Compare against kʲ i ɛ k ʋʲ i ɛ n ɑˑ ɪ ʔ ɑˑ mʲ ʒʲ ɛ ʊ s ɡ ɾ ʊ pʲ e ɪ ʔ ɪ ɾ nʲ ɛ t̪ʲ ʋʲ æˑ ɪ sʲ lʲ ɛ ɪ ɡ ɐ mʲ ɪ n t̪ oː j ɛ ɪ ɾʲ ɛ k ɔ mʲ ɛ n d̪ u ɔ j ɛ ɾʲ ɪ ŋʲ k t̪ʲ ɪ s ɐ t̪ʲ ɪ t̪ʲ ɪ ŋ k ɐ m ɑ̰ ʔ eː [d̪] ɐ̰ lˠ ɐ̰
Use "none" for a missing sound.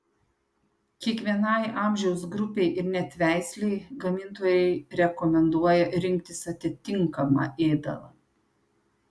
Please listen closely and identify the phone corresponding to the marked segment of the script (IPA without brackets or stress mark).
d̪